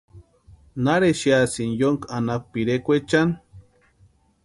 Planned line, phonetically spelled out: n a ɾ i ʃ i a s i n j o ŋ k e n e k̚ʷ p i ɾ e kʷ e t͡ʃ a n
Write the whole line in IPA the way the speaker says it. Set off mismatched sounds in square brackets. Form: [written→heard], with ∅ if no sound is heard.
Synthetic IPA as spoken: n a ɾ [i→e] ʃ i a s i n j o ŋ k [e→a] n [e→a] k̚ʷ p i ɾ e kʷ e t͡ʃ a n